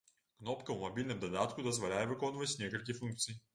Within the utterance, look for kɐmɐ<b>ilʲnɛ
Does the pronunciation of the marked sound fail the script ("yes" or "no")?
no